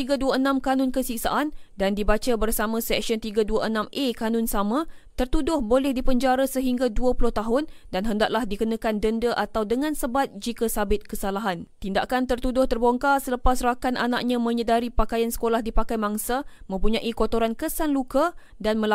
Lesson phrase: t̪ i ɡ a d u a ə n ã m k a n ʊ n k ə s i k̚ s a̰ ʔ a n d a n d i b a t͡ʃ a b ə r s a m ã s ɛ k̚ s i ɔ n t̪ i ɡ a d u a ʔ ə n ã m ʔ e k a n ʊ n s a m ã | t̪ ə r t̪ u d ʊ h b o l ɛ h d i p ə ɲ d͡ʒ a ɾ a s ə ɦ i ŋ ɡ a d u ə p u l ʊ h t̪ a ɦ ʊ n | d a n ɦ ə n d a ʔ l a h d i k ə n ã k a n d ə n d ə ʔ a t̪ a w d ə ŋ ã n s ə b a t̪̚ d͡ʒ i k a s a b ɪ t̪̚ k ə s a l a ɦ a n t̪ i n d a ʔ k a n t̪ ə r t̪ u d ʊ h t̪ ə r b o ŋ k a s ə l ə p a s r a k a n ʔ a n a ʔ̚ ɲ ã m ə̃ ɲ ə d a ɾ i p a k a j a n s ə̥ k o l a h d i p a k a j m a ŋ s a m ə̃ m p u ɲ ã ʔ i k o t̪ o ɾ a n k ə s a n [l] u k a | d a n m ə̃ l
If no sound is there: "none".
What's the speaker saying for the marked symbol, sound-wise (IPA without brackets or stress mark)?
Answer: l